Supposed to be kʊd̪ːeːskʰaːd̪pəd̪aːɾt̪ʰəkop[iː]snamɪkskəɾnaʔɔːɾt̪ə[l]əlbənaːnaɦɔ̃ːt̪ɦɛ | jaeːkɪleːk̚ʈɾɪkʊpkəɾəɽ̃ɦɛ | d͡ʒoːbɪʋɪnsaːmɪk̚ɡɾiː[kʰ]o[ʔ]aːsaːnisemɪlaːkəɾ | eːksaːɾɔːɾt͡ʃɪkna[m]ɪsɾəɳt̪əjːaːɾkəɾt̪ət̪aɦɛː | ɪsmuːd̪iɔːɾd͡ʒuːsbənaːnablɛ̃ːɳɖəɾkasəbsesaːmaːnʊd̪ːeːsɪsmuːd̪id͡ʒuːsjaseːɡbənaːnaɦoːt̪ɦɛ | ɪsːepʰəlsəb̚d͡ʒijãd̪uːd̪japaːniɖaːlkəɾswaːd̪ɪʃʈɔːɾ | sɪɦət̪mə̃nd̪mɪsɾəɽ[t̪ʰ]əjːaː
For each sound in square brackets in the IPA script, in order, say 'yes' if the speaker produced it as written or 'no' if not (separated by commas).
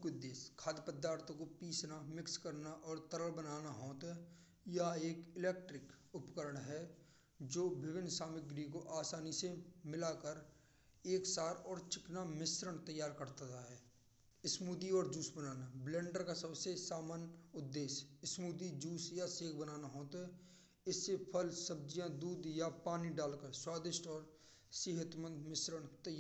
yes, no, no, yes, yes, no